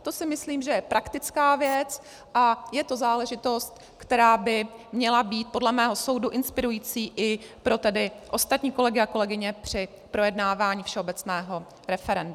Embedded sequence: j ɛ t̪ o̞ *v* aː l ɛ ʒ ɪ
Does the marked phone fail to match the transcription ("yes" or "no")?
yes